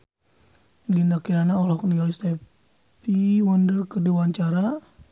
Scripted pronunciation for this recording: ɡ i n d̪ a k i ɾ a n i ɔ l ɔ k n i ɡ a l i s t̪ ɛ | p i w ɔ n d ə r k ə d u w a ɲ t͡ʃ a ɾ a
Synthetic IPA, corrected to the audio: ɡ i n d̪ a k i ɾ a n a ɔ l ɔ k n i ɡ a l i s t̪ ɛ | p i w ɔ n d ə r k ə d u w a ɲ t͡ʃ a ɾ a